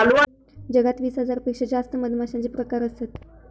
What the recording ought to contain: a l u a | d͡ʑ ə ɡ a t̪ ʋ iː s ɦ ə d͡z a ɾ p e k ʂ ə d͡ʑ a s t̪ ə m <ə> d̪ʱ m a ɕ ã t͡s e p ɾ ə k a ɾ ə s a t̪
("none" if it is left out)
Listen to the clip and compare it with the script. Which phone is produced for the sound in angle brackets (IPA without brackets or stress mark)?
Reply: ə